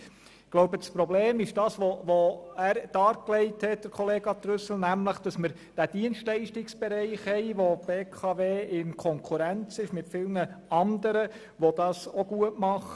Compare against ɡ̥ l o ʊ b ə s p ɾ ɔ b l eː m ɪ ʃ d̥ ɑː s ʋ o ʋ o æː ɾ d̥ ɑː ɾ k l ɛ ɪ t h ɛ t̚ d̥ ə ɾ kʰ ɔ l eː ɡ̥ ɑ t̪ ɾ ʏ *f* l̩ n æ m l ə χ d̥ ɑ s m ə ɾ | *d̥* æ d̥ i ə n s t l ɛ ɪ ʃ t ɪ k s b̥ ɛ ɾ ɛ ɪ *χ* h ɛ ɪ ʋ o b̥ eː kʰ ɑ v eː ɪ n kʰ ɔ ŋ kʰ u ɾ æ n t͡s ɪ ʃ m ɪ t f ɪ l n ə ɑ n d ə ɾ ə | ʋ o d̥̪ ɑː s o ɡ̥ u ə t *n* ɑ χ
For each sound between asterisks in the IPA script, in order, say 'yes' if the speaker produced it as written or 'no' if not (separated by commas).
no, yes, yes, no